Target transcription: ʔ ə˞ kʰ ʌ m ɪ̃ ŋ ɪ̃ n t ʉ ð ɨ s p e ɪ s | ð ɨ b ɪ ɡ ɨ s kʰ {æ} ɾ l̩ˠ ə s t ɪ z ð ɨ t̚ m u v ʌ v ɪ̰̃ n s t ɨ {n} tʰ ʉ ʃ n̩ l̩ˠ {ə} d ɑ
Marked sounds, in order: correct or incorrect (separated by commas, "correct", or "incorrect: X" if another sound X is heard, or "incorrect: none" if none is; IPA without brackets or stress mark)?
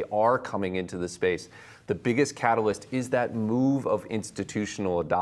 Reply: correct, incorrect: none, correct